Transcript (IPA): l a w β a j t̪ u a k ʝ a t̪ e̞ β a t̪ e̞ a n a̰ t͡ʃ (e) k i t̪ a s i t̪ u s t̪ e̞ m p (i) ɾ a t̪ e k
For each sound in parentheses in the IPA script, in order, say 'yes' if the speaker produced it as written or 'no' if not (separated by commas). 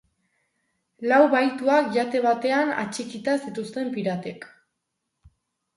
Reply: no, yes